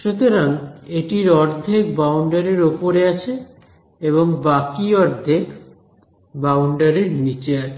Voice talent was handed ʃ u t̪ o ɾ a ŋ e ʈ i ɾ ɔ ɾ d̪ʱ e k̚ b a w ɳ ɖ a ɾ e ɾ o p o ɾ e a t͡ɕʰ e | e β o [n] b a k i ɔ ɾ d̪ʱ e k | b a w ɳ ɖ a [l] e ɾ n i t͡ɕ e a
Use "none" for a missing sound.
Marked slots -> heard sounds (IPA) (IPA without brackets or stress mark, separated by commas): ŋ, ɾ